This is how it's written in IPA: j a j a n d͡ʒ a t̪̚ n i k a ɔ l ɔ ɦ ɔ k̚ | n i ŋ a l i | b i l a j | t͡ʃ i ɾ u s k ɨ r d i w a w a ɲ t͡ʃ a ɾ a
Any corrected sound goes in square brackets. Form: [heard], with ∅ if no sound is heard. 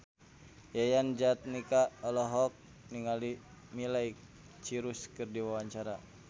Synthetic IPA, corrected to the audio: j a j a n d͡ʒ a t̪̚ n i k a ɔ l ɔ ɦ ɔ k̚ | n i ŋ a l i | [m] i l a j | t͡ʃ i ɾ u s k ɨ r d i w a w a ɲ t͡ʃ a ɾ a